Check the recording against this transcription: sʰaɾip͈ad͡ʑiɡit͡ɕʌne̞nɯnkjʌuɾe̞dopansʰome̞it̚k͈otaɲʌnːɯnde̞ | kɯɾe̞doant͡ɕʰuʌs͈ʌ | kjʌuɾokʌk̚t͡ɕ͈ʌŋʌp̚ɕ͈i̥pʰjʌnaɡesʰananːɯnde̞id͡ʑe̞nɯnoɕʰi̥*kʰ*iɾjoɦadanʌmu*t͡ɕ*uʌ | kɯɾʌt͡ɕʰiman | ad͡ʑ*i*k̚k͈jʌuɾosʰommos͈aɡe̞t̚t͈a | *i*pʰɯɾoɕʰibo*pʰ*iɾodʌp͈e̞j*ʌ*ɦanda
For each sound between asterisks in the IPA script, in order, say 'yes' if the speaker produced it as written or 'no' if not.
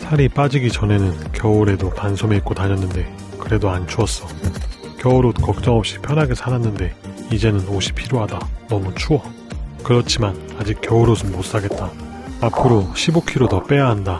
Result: no, no, yes, no, no, no

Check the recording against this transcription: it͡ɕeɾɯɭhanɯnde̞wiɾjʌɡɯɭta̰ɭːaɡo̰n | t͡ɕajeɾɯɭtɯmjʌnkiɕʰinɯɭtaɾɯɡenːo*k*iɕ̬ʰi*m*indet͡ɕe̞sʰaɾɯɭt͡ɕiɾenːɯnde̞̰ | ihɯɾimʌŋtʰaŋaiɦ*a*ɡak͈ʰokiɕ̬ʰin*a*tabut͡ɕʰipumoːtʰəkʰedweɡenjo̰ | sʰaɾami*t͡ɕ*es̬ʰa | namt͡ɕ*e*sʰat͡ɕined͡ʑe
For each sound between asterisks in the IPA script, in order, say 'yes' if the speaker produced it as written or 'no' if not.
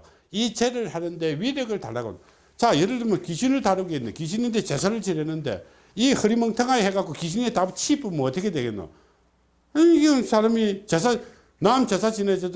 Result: yes, no, no, no, yes, yes

